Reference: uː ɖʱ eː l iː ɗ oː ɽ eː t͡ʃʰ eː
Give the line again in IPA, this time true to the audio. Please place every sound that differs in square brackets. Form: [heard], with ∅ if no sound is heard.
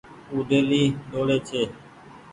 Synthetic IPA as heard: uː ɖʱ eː l iː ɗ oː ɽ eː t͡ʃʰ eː